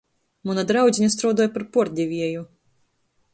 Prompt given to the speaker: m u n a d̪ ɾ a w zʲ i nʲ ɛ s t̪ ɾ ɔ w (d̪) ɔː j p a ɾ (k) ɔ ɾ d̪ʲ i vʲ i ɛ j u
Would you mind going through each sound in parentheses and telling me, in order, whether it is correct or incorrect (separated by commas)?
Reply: correct, incorrect